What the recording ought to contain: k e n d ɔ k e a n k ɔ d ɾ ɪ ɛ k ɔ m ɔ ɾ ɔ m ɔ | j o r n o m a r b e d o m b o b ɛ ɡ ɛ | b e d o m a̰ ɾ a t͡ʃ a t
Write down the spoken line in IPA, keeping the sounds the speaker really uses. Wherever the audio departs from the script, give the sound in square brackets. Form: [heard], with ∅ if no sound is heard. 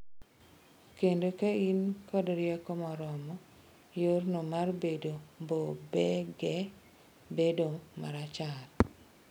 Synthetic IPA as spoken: k e n d [o] k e [i] n k ɔ d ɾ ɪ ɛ k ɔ m ɔ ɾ ɔ m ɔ | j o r n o m a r b e d o m b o b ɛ ɡ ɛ | b e d o m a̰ ɾ a t͡ʃ a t